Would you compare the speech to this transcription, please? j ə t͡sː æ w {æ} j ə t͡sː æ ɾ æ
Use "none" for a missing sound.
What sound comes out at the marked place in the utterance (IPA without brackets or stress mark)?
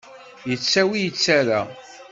i